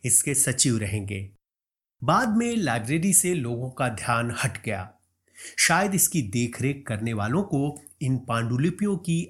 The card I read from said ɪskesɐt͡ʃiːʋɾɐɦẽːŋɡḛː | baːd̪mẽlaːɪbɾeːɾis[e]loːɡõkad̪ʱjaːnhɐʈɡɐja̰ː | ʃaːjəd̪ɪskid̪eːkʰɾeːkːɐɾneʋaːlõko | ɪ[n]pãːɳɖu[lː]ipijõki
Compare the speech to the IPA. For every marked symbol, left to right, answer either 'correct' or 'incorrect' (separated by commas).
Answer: correct, correct, incorrect